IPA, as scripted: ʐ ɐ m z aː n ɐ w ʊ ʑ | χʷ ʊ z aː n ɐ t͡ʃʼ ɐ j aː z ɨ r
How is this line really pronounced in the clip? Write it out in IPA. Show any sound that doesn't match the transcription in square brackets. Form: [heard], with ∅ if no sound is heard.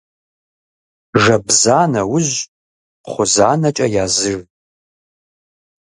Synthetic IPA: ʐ ɐ [b] z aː n ɐ w ʊ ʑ | χʷ ʊ z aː n ɐ t͡ʃʼ ɐ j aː z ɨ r